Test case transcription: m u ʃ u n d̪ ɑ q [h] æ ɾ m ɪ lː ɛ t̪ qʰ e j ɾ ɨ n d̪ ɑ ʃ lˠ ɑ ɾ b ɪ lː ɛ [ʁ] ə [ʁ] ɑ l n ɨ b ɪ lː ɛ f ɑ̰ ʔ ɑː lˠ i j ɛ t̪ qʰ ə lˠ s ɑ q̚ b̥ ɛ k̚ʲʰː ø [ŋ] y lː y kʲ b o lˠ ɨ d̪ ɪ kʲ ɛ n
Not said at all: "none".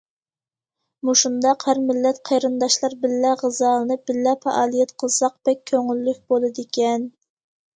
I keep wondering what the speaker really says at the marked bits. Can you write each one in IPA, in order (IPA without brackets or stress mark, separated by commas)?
h, ʁ, z, ŋ